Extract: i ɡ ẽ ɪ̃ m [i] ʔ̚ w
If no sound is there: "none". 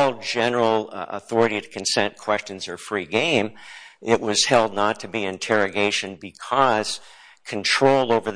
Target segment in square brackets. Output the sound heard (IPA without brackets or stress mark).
ɪ